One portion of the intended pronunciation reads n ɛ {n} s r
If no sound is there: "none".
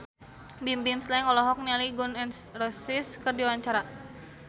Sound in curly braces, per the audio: n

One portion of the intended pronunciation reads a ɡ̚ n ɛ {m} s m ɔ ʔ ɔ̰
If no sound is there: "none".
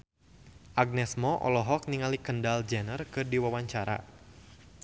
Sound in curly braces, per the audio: none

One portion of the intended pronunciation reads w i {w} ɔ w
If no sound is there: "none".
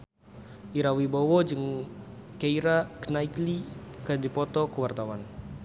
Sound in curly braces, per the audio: b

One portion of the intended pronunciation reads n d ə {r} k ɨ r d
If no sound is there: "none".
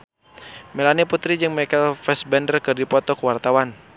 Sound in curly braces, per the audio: r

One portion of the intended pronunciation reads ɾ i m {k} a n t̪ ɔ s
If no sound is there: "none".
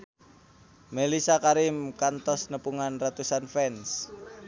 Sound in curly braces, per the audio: k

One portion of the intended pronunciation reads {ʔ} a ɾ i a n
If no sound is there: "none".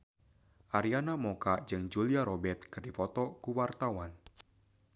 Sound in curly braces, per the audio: ʔ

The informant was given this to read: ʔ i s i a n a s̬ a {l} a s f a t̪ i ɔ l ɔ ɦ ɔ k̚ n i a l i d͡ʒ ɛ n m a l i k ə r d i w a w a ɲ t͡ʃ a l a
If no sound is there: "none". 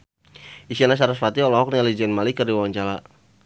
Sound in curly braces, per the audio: ɾ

